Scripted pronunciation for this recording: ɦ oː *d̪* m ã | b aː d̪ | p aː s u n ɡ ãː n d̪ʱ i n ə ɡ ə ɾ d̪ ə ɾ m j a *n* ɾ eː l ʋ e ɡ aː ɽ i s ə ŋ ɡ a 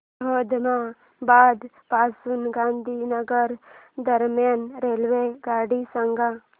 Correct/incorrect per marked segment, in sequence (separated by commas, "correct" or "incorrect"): correct, correct